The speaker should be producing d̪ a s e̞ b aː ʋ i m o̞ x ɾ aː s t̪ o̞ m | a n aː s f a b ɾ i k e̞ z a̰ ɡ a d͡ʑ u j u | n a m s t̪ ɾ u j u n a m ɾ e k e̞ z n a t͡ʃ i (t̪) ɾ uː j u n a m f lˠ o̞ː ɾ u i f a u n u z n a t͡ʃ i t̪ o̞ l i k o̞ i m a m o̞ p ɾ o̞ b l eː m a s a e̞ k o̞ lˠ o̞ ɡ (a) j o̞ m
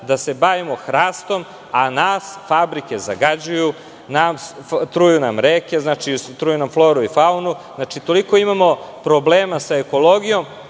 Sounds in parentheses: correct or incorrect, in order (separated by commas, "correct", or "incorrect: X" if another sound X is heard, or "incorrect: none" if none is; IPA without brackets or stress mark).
correct, incorrect: i